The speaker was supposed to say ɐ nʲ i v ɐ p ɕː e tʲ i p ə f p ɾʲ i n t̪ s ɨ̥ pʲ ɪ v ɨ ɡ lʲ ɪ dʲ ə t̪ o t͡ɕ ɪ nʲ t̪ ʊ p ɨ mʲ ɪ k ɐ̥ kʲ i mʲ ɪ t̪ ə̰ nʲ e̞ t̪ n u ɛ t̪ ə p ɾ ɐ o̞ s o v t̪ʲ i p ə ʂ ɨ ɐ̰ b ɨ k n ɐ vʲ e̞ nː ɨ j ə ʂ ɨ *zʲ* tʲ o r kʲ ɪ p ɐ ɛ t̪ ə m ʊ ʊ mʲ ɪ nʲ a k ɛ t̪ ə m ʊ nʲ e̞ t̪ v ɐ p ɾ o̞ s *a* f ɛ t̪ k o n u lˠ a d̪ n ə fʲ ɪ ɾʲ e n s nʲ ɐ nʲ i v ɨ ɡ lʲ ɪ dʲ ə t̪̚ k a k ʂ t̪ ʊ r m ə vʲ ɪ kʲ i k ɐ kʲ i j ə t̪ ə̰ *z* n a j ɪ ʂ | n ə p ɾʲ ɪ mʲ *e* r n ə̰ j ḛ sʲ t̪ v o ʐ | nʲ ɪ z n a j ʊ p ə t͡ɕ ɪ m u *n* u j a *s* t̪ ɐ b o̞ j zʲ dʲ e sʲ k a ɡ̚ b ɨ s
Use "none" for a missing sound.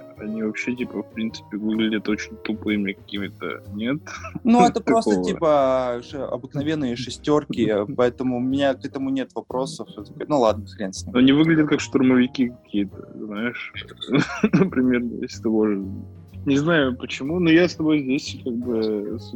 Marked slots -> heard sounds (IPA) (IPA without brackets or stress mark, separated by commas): sʲ, ə, z, e, n, s